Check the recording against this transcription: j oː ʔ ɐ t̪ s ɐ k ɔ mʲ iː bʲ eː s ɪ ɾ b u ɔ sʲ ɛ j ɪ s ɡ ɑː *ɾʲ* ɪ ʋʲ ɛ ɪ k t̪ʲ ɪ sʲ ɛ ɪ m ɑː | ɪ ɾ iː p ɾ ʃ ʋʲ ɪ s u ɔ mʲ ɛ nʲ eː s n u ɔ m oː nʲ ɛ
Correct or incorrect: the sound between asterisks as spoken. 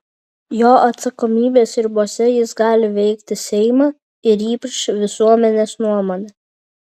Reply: incorrect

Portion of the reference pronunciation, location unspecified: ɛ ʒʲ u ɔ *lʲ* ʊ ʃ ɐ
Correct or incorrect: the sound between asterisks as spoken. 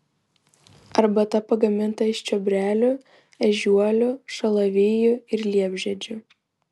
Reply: correct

